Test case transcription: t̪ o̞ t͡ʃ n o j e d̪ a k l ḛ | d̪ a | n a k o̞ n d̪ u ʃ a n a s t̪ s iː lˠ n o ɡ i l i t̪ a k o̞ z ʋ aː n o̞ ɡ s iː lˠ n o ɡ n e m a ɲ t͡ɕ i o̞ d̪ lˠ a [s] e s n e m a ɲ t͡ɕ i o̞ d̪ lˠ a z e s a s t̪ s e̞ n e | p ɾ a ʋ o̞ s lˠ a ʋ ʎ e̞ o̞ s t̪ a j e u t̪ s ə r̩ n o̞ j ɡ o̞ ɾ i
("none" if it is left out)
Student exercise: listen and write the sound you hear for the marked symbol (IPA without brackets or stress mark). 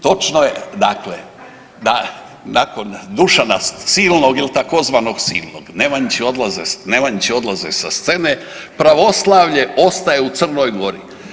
z